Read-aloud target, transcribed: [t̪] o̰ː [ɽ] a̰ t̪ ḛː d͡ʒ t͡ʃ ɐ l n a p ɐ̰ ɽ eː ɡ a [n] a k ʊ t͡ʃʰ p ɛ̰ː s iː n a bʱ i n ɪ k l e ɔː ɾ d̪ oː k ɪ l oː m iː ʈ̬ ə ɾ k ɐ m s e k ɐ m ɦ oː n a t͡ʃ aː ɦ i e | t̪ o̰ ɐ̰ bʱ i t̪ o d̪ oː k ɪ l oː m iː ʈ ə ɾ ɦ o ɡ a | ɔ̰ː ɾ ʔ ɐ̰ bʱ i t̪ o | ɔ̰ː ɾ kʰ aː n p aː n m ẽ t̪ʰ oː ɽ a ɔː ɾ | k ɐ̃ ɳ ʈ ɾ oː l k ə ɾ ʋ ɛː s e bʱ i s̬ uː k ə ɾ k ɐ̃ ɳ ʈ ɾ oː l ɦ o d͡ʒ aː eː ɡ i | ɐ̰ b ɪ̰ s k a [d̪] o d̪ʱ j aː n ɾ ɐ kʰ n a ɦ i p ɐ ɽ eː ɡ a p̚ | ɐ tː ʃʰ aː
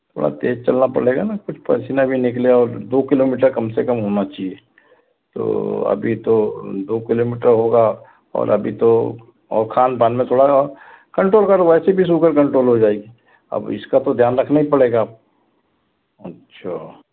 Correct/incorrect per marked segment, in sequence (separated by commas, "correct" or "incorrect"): incorrect, correct, correct, incorrect